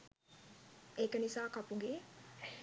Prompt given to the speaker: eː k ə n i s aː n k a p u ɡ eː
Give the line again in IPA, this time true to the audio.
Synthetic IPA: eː k ə n i s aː k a p u ɡ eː